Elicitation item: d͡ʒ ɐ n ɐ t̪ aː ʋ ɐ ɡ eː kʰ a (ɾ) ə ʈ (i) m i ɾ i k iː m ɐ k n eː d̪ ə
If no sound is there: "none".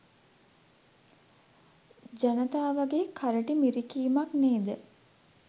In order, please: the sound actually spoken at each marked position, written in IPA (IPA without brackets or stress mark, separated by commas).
ɾ, i